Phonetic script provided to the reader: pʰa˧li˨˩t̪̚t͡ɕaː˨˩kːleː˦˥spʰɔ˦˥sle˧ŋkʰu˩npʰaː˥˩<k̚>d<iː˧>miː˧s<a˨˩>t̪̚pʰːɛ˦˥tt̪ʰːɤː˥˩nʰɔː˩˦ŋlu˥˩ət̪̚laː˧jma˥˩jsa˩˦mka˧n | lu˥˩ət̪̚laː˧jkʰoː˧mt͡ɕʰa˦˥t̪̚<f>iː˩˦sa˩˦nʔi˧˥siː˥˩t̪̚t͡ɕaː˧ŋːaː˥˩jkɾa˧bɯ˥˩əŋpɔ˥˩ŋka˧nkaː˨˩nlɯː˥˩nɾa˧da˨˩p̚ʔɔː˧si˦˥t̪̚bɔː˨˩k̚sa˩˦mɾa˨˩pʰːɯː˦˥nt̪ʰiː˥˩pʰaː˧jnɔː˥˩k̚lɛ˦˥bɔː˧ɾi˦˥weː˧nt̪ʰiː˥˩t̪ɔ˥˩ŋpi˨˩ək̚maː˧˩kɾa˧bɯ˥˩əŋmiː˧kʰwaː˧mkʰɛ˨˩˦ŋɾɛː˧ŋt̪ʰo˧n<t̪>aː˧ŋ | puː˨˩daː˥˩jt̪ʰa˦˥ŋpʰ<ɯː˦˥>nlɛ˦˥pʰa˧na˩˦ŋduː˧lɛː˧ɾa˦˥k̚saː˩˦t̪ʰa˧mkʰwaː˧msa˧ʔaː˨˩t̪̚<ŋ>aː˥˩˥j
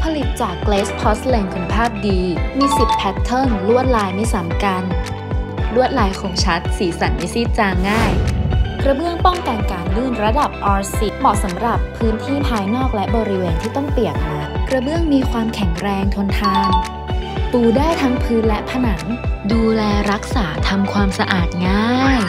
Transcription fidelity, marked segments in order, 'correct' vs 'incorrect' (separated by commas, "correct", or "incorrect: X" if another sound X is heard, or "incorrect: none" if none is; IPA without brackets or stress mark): incorrect: p̚, correct, incorrect: i˨˩, incorrect: s, incorrect: t̪ʰ, correct, correct